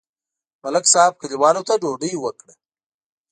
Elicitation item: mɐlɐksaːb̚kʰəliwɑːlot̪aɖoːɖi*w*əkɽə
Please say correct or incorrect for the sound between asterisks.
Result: correct